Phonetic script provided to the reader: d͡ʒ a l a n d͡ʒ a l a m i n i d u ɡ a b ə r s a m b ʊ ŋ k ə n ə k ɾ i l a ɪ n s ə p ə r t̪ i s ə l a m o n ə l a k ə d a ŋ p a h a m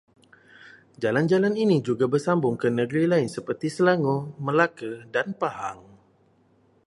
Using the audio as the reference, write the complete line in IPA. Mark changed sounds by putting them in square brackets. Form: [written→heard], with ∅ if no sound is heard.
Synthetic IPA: d͡ʒ a l a n d͡ʒ a l a [m→n] i n i [d→d͡ʒ] u ɡ a b ə r s a m b ʊ ŋ k ə n ə [k→ɡ] ɾ i l a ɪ n s ə p ə r t̪ i s ə l a [m→ŋ] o [n→m] ə l a k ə d a [ŋ→n] p a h a [m→ŋ]